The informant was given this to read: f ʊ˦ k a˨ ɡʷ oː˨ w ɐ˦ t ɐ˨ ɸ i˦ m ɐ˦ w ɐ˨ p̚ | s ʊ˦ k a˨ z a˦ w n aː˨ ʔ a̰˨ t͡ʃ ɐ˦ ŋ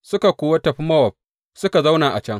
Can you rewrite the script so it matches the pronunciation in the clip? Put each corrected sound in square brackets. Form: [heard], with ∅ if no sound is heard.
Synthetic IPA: [s] ʊ˦ k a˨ [kʷ] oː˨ w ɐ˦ t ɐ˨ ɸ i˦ m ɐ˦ w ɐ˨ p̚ | s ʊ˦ k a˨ z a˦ w n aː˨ ʔ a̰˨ t͡ʃ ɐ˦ ŋ